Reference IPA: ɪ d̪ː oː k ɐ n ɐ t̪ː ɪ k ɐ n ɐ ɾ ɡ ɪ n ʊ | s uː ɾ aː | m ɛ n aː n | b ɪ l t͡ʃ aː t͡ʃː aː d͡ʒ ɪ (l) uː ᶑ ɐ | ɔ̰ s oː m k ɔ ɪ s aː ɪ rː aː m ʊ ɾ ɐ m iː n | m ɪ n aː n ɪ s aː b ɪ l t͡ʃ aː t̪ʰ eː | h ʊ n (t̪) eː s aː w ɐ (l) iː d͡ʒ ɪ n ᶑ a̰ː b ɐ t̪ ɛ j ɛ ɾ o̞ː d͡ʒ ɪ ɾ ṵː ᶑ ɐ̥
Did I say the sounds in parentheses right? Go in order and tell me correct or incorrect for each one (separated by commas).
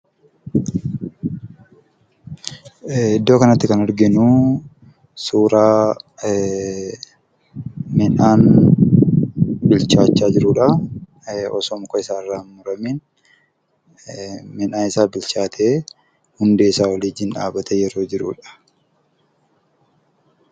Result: incorrect, incorrect, correct